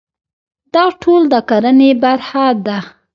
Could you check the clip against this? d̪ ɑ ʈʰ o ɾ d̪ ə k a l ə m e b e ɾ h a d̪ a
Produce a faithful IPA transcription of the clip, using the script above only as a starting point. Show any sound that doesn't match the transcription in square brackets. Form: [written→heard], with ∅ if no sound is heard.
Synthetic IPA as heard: d̪ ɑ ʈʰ o [ɾ→l] d̪ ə k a [l→ɾ] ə [m→n] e b [e→a] ɾ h a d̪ a

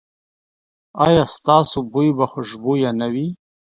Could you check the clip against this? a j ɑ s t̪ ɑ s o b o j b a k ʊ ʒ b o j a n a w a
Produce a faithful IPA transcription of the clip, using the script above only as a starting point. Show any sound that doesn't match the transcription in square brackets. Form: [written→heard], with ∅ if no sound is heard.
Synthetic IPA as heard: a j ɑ s t̪ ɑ s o b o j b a [k→x] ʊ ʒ b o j a n a w [a→i]

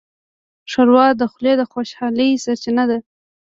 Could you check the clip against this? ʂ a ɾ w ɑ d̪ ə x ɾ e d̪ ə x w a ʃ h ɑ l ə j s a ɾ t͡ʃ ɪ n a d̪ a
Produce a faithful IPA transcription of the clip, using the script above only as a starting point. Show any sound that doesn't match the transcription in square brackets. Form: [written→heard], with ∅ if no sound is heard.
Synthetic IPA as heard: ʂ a ɾ w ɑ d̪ ə x [ɾ→l] e d̪ ə x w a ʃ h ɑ l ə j s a ɾ t͡ʃ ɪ n a d̪ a

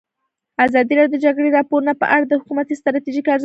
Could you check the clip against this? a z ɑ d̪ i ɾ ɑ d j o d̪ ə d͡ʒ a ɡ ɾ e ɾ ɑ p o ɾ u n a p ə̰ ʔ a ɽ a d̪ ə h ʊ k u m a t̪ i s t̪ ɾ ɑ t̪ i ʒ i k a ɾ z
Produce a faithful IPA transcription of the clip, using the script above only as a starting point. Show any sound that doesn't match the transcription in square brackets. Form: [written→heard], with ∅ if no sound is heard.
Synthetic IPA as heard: a z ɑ d̪ i ɾ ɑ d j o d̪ ə d͡ʒ a ɡ [ɾ→ɽ] e ɾ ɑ p o ɾ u n a p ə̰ ʔ a ɽ a d̪ ə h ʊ k u m a t̪ i s t̪ ɾ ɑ t̪ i ʒ i k a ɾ z

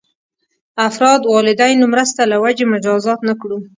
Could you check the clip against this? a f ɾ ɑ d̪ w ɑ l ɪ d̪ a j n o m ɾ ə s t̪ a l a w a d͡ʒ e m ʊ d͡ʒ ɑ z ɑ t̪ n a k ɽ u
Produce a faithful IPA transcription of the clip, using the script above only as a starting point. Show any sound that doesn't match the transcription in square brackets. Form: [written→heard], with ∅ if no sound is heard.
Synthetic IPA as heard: a f ɾ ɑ d̪ w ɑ l ɪ d̪ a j n o m ɾ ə s t̪ a l a w a d͡ʒ e m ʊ d͡ʒ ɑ z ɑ t̪ n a k ɽ u

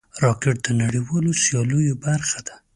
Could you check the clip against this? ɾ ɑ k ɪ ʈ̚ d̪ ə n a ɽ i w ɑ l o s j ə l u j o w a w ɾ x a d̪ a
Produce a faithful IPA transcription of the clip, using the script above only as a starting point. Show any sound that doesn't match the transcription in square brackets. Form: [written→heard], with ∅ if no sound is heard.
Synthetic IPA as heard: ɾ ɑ k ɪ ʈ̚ d̪ ə n a ɽ i w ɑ l o s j [ə→ɑ] l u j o [w→b] a [w→∅] ɾ x a d̪ a

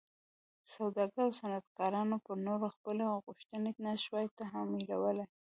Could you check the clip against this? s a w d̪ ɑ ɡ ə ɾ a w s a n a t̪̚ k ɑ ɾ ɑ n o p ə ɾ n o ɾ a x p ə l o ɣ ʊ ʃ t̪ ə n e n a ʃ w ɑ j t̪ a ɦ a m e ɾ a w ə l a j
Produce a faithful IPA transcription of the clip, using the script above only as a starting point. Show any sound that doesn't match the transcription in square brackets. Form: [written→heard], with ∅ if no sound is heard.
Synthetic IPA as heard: s a w d̪ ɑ ɡ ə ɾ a w s a n a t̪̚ k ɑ ɾ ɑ n o p ə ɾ n o ɾ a x p ə l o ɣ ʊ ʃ t̪ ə n e n a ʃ w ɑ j t̪ a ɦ a m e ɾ a w ə l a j

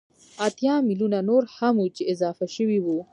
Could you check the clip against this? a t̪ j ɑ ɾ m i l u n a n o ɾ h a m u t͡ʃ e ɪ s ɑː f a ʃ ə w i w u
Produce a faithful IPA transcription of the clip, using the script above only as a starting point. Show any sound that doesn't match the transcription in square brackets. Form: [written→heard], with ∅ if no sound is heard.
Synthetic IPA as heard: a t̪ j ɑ [ɾ→∅] m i l u n a n o ɾ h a m u t͡ʃ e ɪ [s→z] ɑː f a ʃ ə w i w u

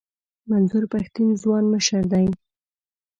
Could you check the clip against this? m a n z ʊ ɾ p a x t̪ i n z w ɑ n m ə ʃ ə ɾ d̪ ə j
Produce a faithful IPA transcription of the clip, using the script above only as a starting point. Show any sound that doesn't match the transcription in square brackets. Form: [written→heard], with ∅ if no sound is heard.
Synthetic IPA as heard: m a n z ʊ ɾ p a x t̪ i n z w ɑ n m ə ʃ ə ɾ d̪ [ə→a] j

